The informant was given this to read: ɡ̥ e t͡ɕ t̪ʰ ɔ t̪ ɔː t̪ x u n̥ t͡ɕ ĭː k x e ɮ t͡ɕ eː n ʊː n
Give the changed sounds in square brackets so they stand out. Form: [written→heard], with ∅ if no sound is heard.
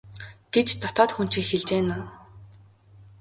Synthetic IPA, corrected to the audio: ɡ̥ e t͡ɕ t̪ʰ ɔ t̪ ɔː t̪ x u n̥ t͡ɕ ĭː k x e ɮ t͡ɕ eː n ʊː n